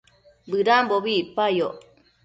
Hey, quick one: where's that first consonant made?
lips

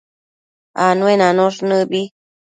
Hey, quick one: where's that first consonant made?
tongue tip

